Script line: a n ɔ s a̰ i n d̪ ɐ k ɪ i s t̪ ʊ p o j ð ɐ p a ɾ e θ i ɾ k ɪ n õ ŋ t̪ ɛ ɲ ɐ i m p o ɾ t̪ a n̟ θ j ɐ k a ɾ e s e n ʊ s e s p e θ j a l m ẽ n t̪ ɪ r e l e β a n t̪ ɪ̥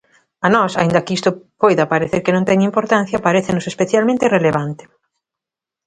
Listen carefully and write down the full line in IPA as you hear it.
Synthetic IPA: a n ɔ s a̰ i n d̪ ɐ k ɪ i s t̪ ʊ p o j ð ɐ p a ɾ e θ e ɾ k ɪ n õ ŋ t̪ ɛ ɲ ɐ i m p o ɾ t̪ a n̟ θ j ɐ p a ɾ e θ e n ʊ s e s p e θ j a l m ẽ n t̪ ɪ r e l e β a n t̪ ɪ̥